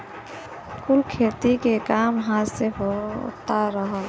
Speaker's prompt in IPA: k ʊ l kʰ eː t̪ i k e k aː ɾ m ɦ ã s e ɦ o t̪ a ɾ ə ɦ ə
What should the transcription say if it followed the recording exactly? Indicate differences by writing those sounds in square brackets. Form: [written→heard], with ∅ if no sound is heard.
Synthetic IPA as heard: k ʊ l kʰ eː t̪ i k e k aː [ɾ→∅] m ɦ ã s e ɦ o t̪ a ɾ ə ɦ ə